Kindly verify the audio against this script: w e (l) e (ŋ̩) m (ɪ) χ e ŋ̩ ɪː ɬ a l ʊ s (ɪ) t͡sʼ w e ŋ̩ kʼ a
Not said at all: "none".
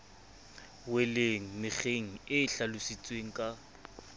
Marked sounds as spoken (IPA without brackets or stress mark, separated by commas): l, ŋ̩, ɪ, i